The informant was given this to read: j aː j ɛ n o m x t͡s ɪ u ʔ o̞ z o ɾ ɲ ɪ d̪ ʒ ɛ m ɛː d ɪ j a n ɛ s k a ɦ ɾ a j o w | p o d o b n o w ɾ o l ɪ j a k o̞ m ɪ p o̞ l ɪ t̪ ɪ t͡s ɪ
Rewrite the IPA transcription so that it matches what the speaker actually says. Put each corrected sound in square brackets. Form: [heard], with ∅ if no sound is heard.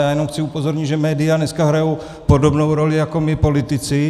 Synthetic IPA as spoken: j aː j ɛ n o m x t͡s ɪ u [p] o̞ z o ɾ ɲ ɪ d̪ ʒ ɛ m ɛː d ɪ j a n ɛ s k a ɦ ɾ a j o w | p o d o b n o w ɾ o l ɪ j a k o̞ m ɪ p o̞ l ɪ t̪ ɪ t͡s ɪ